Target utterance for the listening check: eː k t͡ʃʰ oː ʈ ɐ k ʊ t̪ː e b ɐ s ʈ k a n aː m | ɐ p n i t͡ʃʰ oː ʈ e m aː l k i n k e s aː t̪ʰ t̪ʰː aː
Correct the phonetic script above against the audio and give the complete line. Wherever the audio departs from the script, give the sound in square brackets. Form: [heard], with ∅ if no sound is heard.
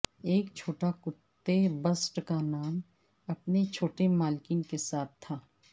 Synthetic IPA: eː k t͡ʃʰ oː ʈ [a] k ʊ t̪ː e b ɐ s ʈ k a n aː m | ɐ p n [e] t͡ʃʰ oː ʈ e m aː l k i n k e s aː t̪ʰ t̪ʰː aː